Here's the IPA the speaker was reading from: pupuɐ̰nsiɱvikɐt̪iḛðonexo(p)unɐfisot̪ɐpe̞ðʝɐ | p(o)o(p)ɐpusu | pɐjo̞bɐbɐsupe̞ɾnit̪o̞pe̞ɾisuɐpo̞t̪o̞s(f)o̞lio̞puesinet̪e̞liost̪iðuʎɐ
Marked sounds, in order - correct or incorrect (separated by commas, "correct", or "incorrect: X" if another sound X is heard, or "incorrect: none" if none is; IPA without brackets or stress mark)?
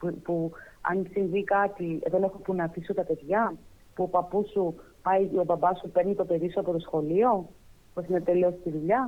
correct, incorrect: u, correct, incorrect: x